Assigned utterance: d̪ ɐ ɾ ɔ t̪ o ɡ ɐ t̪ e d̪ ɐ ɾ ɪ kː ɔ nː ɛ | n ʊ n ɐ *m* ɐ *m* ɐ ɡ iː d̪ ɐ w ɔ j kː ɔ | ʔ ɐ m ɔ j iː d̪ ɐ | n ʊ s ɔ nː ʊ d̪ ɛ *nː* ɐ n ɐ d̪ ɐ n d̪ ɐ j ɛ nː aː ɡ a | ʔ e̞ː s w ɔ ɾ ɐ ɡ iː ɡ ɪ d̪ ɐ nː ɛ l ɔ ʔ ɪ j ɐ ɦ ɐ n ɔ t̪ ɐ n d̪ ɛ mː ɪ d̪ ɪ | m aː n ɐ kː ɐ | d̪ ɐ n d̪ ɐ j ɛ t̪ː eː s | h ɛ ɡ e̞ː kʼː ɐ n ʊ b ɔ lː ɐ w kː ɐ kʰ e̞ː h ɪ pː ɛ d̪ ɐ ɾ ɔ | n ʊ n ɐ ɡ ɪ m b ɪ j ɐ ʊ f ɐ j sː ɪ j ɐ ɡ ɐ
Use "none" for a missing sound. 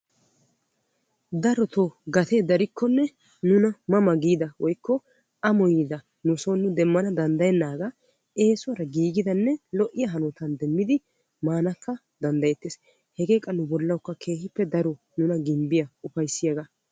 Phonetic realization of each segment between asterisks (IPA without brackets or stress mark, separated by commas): m, m, mː